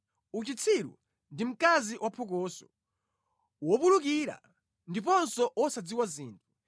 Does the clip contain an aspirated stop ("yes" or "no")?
yes